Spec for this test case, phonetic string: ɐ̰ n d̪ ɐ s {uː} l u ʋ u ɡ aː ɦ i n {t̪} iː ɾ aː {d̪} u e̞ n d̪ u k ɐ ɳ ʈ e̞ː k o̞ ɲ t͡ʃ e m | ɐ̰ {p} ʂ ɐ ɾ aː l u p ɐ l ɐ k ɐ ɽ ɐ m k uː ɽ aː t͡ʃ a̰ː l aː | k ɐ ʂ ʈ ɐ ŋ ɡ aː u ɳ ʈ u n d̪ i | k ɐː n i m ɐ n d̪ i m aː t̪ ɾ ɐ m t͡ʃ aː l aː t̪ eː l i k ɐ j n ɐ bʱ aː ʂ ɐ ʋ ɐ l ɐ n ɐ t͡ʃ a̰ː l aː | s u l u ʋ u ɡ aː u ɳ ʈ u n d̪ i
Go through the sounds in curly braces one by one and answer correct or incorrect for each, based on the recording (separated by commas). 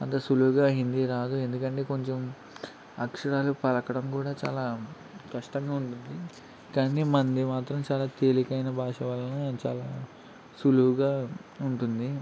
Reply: incorrect, incorrect, correct, incorrect